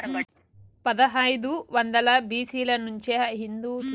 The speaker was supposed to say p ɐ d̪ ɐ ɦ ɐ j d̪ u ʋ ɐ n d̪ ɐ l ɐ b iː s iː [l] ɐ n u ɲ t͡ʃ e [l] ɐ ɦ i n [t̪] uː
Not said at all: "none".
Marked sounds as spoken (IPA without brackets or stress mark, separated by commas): l, none, d̪